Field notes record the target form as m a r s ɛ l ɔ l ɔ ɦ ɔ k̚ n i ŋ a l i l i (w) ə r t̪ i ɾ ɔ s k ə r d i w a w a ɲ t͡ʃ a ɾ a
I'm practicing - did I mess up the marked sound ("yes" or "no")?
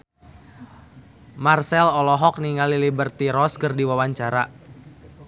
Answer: yes